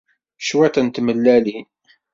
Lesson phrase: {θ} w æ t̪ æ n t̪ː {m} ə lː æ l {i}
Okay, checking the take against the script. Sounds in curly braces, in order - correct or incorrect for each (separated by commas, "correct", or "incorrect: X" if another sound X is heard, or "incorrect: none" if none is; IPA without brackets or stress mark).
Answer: incorrect: ʃ, correct, correct